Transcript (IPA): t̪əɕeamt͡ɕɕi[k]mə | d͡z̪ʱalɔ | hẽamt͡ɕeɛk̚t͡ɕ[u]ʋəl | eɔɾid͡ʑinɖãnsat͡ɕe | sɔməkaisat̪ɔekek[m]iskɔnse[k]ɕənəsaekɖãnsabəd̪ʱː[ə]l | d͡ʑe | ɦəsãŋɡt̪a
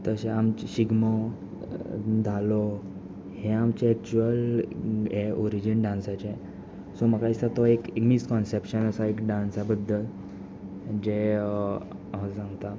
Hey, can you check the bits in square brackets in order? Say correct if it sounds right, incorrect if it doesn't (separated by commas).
incorrect, correct, correct, incorrect, correct